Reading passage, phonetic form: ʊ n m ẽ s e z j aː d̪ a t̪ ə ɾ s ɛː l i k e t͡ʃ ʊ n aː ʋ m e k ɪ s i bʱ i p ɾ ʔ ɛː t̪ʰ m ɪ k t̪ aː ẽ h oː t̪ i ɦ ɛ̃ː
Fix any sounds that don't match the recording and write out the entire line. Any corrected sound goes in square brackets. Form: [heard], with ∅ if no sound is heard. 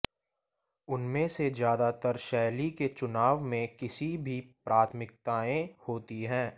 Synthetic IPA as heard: ʊ n m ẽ s e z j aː d̪ a t̪ ə ɾ [ʃ] ɛː l i k e t͡ʃ ʊ n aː ʋ m [ẽ] k ɪ s i bʱ i p ɾ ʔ [aː] t̪ʰ m ɪ k t̪ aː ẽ h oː t̪ i ɦ ɛ̃ː

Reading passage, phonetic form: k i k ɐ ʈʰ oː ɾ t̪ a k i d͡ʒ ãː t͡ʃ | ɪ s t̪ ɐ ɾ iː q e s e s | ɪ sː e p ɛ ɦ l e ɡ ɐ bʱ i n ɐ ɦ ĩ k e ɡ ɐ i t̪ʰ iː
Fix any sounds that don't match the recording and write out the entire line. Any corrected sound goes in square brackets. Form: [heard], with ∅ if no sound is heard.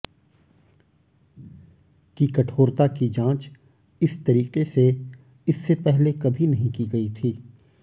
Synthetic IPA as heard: k i k ɐ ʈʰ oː ɾ t̪ a k i d͡ʒ ãː t͡ʃ | ɪ s t̪ ɐ ɾ iː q e s e [∅] | ɪ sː e p ɛ ɦ l e [k] ɐ bʱ i n ɐ ɦ ĩ k [i] ɡ ɐ i t̪ʰ iː

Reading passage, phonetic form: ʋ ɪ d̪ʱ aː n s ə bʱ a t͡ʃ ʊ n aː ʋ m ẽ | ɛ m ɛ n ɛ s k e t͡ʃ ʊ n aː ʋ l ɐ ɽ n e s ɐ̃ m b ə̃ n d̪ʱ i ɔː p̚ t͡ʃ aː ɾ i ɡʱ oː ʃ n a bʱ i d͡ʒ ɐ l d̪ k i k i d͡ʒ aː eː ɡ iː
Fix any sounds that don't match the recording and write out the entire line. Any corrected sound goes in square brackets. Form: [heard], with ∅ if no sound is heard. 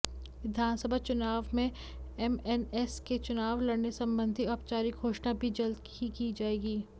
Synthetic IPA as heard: ʋ ɪ d̪ʱ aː n s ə bʱ a t͡ʃ ʊ n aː ʋ m ẽ | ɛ m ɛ n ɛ s k e t͡ʃ ʊ n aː ʋ l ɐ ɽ n e s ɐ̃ m b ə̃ n d̪ʱ i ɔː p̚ t͡ʃ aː ɾ i ɡʱ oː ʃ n a bʱ i d͡ʒ ɐ l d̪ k i k i d͡ʒ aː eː ɡ iː

